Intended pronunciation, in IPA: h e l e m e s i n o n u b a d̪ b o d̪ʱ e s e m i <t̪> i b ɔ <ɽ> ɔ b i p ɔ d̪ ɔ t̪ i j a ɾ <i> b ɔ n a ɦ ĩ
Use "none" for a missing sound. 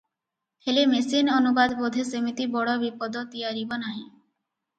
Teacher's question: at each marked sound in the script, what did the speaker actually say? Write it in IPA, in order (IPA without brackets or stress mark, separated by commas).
t̪, ɽ, i